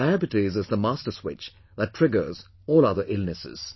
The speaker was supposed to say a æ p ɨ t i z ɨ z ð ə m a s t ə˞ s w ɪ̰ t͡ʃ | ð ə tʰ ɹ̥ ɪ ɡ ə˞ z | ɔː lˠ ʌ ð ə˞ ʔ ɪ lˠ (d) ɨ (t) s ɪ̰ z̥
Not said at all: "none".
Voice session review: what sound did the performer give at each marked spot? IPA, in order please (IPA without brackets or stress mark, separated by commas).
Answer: n, none